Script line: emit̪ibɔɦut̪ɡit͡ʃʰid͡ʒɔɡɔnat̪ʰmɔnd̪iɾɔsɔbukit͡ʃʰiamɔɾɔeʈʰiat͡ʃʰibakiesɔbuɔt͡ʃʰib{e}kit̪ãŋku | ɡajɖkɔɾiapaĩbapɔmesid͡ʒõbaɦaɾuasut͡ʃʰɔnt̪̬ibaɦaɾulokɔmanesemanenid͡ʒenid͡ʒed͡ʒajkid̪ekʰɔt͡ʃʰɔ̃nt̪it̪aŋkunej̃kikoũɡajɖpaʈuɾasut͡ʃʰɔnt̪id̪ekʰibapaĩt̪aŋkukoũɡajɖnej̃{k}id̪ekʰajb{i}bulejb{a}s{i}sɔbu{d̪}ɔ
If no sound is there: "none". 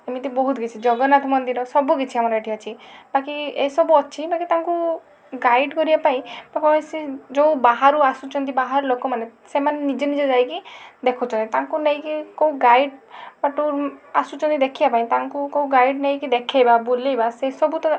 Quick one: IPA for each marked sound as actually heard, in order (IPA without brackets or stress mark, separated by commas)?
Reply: a, k, a, a, e, t̪